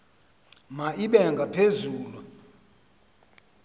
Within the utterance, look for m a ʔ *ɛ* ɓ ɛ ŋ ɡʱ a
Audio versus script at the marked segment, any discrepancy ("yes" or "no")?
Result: yes